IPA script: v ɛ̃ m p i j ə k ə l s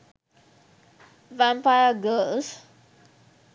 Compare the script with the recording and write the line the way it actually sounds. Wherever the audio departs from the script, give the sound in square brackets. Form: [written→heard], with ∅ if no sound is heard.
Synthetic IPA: v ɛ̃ m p [i→a] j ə [k→ɡ] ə l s